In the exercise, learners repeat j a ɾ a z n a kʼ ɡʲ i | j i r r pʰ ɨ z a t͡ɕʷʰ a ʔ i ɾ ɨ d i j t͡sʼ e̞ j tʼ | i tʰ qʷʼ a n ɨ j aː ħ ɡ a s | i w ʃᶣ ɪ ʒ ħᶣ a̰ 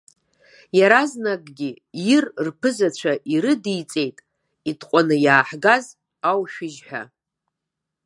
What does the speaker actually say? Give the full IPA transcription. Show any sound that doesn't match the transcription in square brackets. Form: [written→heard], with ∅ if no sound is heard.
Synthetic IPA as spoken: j a ɾ a z n a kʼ ɡʲ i | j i r r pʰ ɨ z a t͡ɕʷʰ a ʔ i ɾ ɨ d i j t͡sʼ e̞ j tʼ | i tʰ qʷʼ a n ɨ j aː ħ ɡ a [s→z] | [i→a] w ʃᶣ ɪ ʒ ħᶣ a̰